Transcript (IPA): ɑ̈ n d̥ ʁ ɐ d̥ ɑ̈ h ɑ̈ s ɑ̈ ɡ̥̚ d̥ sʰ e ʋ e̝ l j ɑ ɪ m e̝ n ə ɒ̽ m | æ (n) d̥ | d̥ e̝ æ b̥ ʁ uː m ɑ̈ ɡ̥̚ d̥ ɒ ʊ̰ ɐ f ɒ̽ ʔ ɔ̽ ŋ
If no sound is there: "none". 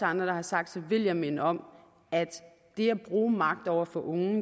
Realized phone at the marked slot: none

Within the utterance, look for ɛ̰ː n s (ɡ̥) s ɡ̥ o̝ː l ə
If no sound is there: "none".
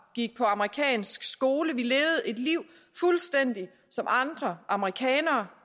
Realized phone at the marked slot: ɡ̥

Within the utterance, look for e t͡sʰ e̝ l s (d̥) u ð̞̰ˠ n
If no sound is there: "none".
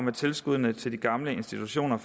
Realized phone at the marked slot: ɡ̥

